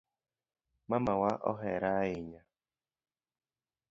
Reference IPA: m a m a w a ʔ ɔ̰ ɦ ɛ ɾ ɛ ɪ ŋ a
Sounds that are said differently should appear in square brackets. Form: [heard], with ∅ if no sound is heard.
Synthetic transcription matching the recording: m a m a w a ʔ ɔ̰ ɦ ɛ ɾ [a] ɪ [ɲ] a